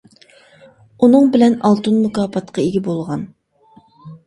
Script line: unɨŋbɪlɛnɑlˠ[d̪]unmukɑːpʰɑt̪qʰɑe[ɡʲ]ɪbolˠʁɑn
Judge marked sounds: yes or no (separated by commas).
no, yes